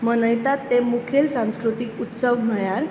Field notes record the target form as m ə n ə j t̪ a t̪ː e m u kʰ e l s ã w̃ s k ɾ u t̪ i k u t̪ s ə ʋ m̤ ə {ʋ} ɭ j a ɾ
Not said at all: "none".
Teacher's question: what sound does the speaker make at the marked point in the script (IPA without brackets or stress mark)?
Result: none